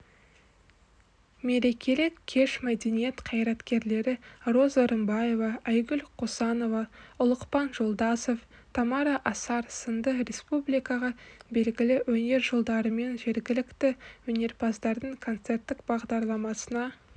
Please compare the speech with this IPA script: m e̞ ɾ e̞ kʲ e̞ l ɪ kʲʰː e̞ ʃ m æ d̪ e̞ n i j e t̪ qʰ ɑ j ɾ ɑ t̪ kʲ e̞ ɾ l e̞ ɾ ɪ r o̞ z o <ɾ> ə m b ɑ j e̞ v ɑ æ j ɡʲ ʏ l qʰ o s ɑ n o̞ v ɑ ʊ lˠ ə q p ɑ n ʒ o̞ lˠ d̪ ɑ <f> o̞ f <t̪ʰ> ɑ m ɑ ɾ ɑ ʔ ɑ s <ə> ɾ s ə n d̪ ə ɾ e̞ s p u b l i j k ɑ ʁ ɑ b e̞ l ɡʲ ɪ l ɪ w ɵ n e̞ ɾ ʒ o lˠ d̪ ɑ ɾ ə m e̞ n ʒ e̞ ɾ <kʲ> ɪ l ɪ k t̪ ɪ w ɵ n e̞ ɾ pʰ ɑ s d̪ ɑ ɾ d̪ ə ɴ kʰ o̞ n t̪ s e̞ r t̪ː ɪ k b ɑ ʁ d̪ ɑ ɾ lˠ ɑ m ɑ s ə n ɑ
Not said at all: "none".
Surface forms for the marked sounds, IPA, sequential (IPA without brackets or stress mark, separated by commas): ɾ, s, t̪ʰ, ɑ, ɡʲ